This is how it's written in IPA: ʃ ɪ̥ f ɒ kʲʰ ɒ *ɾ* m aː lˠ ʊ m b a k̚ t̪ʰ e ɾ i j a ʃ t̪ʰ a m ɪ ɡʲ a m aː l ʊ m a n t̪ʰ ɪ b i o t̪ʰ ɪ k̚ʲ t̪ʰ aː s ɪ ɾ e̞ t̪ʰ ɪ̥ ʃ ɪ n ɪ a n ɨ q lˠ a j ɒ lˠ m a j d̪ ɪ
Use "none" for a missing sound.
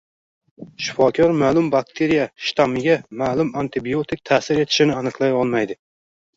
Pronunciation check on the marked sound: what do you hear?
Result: ɾ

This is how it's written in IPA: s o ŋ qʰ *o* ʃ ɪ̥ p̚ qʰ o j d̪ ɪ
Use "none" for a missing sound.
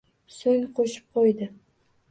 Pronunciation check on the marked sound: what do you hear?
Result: o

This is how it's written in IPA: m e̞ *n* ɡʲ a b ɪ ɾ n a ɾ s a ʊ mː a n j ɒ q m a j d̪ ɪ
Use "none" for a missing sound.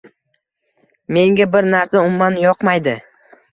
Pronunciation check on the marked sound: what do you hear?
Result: ŋ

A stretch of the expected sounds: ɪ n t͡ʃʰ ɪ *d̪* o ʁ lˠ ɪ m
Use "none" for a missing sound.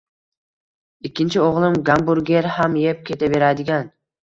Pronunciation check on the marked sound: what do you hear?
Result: none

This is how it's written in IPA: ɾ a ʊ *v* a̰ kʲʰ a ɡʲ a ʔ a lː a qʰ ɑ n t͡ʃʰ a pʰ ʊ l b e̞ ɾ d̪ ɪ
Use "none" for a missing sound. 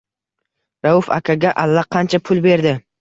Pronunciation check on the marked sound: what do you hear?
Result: f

